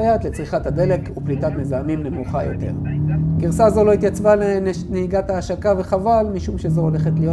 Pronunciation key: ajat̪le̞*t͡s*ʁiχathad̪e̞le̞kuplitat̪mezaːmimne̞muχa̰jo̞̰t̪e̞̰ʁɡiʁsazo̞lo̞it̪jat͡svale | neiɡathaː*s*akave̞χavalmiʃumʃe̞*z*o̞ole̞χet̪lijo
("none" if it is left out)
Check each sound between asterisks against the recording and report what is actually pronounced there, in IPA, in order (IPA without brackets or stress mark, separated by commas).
t͡s, ʃ, z